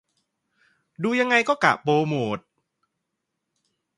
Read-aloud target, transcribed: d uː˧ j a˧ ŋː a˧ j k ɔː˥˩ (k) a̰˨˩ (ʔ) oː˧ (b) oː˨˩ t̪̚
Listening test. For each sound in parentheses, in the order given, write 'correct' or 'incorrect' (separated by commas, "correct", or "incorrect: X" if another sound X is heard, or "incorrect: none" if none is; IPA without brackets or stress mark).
correct, incorrect: p, incorrect: m